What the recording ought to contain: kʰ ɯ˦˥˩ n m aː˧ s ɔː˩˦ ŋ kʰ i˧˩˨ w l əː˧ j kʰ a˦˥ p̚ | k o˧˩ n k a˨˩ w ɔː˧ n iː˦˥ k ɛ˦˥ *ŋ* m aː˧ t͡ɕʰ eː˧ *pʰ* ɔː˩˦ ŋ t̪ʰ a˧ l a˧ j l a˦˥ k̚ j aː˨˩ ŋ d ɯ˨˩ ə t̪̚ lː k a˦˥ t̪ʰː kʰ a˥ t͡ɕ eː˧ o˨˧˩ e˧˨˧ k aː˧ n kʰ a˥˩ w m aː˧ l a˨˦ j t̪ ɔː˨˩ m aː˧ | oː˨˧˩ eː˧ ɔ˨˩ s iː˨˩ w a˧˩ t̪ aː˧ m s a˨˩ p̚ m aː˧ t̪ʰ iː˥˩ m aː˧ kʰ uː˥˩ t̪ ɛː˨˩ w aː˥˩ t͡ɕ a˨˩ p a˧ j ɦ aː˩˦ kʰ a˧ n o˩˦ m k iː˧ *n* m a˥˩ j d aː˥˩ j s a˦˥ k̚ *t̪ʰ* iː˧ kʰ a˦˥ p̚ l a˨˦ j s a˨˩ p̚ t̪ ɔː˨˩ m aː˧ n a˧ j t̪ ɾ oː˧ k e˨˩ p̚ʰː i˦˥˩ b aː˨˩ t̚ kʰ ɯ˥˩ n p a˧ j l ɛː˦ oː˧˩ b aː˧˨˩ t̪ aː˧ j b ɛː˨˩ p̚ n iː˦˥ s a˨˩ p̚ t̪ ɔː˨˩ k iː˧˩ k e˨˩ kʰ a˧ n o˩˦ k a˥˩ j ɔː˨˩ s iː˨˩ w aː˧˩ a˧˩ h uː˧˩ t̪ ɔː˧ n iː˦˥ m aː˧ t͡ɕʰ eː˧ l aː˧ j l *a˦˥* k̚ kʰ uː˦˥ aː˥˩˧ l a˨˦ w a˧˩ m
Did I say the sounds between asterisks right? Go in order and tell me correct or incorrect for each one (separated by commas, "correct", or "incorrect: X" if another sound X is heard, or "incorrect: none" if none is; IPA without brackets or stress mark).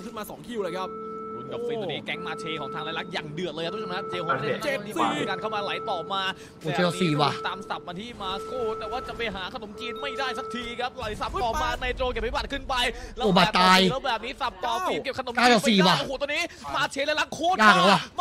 correct, incorrect: kʰ, correct, correct, correct